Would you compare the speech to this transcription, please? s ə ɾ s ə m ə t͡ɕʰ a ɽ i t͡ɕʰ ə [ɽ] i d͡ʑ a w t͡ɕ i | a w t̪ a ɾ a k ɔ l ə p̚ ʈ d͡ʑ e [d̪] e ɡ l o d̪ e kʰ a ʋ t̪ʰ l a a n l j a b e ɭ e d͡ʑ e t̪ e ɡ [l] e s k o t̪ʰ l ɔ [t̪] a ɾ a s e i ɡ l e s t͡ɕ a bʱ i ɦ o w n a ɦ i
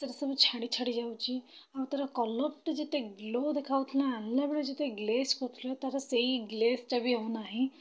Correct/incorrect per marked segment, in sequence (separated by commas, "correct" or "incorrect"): correct, incorrect, correct, correct